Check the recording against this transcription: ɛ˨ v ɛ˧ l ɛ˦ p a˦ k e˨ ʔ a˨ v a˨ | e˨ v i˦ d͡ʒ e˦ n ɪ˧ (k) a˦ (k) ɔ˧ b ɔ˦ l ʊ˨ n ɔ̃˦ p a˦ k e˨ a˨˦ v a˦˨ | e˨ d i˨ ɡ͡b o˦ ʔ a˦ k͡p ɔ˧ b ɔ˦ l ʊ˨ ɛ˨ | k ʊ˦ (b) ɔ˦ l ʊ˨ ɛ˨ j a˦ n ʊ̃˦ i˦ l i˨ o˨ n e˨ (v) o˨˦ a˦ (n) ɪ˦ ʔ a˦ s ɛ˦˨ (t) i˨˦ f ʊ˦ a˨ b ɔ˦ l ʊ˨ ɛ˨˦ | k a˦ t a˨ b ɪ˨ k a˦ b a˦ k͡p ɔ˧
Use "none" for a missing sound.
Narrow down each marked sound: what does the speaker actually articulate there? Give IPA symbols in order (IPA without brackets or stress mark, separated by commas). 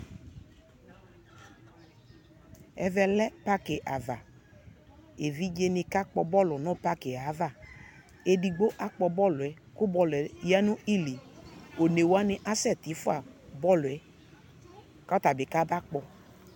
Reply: k, k͡p, b, w, n, t